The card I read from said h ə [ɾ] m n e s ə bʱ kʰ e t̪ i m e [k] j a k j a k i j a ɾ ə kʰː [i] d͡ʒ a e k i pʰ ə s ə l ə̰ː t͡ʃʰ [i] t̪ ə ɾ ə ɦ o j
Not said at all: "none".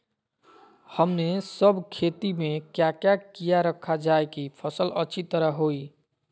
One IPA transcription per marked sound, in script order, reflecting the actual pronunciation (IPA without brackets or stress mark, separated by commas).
none, k, a, i